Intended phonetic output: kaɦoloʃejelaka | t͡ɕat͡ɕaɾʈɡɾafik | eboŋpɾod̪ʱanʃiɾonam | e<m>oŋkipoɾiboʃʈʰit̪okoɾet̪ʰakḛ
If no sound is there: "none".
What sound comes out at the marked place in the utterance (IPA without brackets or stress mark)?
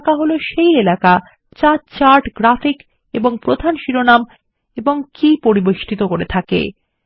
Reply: b